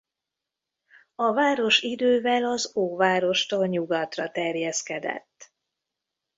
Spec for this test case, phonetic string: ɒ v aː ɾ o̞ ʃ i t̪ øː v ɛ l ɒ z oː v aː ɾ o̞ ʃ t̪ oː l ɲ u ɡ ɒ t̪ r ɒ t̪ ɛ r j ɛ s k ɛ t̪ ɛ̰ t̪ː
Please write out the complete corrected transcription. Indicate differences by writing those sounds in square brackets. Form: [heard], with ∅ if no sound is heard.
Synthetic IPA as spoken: ɒ v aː ɾ o̞ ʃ i [d̪] øː v ɛ l ɒ z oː v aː ɾ o̞ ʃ t̪ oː l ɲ u ɡ ɒ t̪ r ɒ t̪ ɛ r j ɛ s k ɛ [d̪] ɛ̰ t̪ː